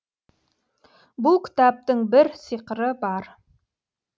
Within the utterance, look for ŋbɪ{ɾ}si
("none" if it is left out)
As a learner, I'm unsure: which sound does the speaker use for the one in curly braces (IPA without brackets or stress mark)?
ɾ